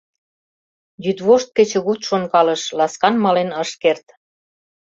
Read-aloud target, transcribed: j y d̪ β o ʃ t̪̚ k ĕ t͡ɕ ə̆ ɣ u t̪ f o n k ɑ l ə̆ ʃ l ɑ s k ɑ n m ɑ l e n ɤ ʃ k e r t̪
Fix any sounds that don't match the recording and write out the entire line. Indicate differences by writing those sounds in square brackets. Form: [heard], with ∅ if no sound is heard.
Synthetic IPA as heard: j y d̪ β o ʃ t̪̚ k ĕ t͡ɕ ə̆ ɣ u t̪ [ʃ] o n k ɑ l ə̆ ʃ l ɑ s k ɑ n m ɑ l e n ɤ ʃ k e r t̪